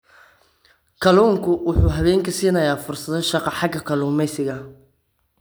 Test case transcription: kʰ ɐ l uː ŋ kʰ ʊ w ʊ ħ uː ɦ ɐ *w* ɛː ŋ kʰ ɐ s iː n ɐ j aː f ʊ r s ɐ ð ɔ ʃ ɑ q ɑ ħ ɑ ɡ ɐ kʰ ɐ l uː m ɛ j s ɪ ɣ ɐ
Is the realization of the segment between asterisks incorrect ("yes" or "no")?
yes